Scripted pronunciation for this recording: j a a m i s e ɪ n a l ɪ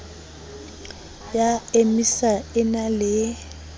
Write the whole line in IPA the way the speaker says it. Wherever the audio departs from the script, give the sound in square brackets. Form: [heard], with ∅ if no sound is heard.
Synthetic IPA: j a [e] m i s [a] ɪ n a l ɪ